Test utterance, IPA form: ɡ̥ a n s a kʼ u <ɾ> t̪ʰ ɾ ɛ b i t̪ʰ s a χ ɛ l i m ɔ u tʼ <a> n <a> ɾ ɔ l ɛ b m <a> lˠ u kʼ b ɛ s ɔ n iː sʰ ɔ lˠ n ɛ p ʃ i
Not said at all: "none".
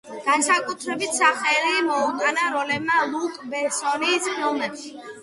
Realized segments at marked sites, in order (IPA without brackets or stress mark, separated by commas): none, a, a, a